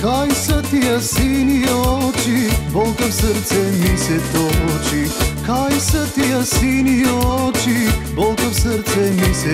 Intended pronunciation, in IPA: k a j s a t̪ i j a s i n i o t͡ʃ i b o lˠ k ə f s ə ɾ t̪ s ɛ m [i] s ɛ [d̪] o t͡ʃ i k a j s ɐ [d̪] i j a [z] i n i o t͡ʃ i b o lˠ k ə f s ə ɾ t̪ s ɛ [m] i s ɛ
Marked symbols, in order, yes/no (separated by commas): yes, no, no, no, yes